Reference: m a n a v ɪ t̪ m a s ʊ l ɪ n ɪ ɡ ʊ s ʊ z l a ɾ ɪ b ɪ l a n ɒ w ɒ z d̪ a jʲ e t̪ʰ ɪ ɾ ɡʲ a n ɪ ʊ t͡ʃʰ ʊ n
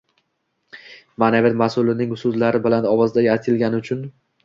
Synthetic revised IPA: m a n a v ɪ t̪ m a s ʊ l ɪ n ɪ ŋ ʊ s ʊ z l a ɾ ɪ b ɪ l a n ɒ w ɒ z d̪ a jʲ a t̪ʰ ɪ l ɡʲ a n ɪ ʊ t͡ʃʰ ʊ n